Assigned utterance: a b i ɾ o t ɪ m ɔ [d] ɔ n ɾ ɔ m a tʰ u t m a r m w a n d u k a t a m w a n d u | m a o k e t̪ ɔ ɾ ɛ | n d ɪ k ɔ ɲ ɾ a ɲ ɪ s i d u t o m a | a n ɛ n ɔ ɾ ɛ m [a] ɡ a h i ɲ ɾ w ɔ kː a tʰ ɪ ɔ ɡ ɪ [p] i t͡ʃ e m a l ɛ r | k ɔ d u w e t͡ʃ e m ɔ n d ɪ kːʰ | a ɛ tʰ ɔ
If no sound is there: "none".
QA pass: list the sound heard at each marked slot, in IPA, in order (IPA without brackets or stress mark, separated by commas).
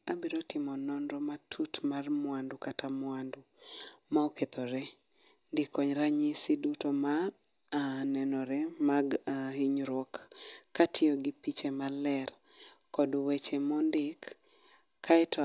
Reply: n, a, p